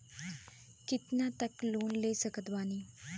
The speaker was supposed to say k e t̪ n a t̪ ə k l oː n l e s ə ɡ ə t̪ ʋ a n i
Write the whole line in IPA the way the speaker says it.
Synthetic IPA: k i t̪ n a t̪ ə k l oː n l e s ə k ə t̪ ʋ a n i